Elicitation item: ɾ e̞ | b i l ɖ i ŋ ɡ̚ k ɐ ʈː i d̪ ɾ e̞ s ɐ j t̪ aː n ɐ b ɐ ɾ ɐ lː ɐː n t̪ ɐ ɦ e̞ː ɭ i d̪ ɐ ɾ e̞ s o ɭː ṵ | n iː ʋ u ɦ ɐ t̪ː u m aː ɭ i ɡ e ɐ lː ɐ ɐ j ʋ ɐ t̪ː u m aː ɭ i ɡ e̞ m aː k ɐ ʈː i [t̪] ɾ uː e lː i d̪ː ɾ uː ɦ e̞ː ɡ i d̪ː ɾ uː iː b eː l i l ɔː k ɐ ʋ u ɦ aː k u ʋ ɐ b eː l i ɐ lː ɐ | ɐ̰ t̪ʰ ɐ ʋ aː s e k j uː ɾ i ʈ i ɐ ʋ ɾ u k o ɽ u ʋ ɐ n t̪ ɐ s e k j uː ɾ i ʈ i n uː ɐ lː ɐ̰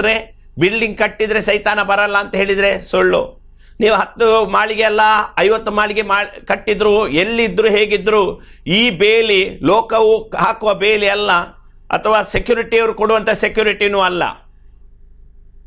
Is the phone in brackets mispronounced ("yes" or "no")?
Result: yes